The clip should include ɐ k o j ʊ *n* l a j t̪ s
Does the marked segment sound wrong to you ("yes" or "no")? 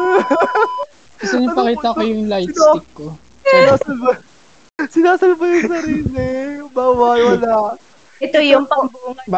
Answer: yes